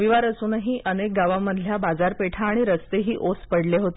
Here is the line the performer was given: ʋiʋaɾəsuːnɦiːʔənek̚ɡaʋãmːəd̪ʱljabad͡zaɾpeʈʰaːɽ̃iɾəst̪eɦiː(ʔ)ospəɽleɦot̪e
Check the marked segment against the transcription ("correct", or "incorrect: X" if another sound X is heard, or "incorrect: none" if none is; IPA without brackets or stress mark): correct